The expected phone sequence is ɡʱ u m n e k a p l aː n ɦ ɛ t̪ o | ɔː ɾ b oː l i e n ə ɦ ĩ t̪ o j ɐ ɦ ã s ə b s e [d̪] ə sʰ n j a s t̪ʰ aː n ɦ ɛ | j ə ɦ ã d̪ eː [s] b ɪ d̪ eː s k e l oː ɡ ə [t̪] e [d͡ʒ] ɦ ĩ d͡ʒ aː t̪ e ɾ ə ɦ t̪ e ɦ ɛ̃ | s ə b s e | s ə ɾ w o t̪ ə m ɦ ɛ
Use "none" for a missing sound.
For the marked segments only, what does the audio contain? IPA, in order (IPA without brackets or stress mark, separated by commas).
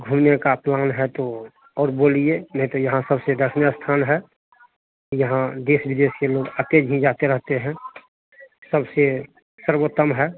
d̪, s, t̪, d͡ʒ